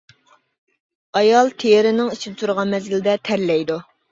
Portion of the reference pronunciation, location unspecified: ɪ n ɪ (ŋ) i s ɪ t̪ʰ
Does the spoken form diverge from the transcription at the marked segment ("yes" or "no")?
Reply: no